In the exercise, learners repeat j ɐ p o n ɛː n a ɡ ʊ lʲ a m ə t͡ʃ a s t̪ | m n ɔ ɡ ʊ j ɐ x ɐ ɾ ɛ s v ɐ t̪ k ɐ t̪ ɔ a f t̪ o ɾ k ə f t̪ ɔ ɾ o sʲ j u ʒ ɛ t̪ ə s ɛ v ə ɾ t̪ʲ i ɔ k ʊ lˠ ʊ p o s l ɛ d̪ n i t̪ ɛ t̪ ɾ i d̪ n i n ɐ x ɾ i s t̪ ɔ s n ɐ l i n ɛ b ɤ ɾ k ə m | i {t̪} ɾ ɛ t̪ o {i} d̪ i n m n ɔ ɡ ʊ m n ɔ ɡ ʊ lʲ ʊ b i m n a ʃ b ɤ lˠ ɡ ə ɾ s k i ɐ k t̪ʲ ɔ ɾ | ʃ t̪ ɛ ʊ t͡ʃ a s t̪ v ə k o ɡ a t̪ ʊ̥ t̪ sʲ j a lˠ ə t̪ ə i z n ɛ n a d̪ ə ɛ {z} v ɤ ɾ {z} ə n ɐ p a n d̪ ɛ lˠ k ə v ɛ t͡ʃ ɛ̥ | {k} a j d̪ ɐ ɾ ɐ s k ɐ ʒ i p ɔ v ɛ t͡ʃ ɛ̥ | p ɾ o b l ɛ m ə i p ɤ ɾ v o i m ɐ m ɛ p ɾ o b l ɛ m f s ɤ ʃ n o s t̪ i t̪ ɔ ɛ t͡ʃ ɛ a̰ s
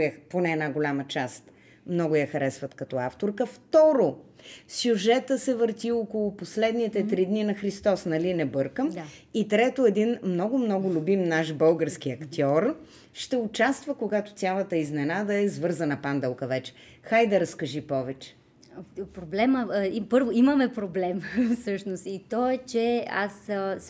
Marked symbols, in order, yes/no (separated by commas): yes, no, yes, yes, no